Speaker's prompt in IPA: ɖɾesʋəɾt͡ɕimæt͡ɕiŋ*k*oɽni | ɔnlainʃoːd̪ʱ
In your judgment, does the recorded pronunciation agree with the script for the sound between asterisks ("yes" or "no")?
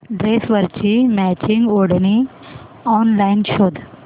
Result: no